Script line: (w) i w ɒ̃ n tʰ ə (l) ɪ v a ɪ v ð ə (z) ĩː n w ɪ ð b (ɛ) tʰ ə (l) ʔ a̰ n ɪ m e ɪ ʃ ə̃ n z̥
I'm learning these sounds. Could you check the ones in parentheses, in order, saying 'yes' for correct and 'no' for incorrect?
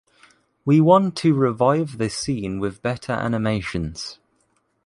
yes, no, no, yes, no

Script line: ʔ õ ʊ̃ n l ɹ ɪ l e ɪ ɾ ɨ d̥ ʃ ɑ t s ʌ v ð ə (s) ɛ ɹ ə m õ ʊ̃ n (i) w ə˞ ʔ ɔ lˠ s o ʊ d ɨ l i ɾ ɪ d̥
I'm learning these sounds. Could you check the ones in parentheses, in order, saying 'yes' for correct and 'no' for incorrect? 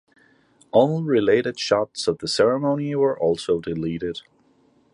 yes, yes

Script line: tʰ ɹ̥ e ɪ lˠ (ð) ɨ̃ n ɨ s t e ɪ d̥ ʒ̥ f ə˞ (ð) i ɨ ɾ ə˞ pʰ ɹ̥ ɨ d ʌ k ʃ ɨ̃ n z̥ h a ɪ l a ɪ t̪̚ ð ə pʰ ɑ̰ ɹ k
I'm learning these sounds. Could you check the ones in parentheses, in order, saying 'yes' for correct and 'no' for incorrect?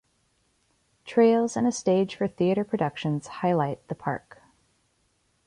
no, no

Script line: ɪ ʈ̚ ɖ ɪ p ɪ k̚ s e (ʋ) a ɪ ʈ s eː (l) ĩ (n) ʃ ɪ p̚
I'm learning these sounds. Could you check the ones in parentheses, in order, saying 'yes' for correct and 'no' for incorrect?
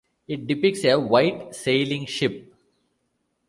yes, yes, no

